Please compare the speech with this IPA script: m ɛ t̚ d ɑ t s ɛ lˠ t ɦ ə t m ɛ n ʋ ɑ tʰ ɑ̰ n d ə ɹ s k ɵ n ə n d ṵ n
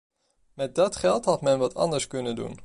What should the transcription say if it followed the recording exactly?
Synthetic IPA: m ɛ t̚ d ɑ t χ ɛ lˠ t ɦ ɑ t m ɛ n ʋ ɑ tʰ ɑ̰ n d ə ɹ s k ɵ n ə n d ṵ n